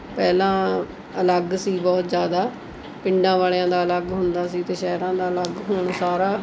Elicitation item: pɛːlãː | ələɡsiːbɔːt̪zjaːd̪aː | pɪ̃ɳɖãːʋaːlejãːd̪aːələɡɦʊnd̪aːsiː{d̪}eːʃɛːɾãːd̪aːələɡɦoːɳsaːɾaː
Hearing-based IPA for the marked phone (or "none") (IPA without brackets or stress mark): t̪